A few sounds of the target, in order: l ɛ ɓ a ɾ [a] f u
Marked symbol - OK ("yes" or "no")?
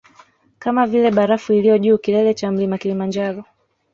yes